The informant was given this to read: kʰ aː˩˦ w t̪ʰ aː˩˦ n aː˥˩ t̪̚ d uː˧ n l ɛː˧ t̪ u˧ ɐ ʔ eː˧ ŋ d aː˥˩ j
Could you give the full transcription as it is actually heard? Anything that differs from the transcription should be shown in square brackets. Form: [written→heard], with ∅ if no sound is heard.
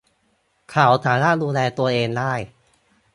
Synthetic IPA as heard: kʰ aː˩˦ w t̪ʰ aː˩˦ n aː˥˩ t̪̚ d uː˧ n l ɛː˧ t̪ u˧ ɐ ʔ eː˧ ŋ d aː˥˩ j